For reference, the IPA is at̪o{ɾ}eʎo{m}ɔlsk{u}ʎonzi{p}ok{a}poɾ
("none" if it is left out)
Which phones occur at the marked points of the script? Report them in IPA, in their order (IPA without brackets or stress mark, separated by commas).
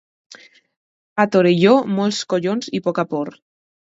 ɾ, m, o, p, a